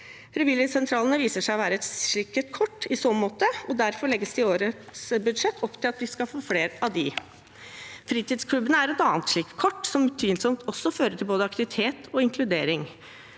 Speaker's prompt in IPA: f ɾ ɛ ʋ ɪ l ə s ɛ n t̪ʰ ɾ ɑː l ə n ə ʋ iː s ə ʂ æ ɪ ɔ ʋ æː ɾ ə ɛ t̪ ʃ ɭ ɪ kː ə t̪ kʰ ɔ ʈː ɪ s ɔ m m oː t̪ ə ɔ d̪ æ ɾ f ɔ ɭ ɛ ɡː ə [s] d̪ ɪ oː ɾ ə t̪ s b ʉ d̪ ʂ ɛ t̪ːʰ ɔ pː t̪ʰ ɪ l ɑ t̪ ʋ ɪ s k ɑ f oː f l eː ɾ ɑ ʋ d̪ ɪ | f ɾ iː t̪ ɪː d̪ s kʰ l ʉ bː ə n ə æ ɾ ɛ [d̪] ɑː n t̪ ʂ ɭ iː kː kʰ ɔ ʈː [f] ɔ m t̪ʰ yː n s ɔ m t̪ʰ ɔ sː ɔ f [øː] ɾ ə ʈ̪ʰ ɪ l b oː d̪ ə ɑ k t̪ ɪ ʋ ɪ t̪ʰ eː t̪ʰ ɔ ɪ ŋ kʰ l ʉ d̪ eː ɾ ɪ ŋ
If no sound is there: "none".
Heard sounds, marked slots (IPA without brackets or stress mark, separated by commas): s, t̪, s, øː